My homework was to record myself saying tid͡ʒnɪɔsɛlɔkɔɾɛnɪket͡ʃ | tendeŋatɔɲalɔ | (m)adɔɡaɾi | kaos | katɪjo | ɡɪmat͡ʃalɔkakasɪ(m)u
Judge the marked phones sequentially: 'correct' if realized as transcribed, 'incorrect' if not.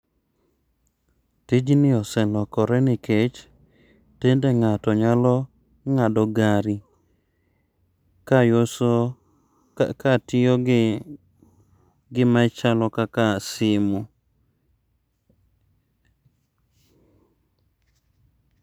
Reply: incorrect, correct

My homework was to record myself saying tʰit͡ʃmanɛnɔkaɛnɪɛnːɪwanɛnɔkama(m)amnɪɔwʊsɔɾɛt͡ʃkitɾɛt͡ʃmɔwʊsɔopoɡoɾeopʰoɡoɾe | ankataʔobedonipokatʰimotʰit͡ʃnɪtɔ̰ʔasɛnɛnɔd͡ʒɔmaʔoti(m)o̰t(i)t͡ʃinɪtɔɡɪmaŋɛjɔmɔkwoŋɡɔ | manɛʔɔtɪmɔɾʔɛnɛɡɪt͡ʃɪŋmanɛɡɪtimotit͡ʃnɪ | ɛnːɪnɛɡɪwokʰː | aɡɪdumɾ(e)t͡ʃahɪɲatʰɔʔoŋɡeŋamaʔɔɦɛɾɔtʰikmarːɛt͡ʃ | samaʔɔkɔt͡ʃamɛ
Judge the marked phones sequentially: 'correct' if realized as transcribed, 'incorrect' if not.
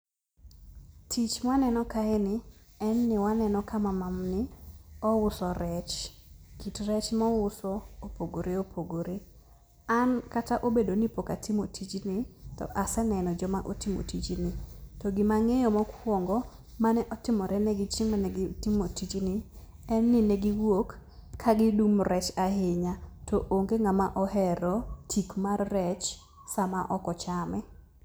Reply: correct, correct, correct, incorrect

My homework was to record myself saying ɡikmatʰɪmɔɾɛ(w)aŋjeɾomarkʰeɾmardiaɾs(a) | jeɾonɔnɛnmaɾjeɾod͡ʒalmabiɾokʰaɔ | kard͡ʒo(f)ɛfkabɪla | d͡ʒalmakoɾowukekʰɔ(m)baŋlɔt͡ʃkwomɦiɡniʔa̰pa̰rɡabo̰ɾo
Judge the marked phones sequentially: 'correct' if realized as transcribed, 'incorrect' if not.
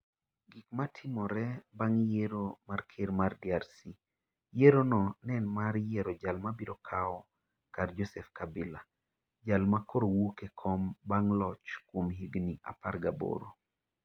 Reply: incorrect, incorrect, incorrect, correct

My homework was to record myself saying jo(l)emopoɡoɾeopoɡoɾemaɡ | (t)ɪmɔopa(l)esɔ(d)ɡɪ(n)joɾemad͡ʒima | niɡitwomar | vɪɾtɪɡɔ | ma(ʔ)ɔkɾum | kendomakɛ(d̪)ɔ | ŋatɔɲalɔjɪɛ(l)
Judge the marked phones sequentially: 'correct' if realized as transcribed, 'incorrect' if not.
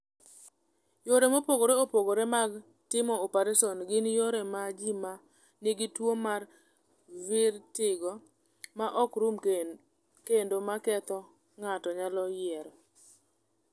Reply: incorrect, correct, incorrect, incorrect, correct, correct, incorrect, incorrect

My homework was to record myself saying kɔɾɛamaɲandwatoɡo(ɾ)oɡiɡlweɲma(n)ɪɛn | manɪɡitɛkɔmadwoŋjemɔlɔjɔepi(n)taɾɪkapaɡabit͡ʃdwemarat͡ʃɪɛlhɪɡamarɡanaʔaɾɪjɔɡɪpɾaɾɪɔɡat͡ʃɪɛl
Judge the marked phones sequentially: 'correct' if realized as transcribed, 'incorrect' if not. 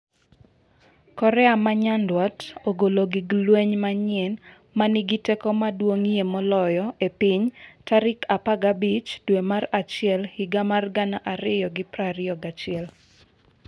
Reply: incorrect, incorrect, incorrect

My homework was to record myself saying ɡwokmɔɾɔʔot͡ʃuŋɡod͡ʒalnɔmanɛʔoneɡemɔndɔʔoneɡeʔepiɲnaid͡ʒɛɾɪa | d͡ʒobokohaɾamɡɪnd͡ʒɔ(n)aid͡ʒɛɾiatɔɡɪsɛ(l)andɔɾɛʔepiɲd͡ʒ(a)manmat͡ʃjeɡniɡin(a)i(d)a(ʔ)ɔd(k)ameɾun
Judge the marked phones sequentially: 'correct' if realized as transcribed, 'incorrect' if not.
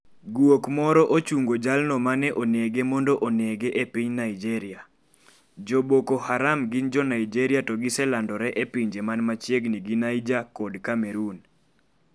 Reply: correct, correct, incorrect, correct, incorrect, incorrect, correct

